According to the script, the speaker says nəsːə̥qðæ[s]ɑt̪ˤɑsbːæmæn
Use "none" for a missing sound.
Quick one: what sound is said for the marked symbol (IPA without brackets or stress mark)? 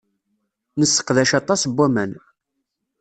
ʃ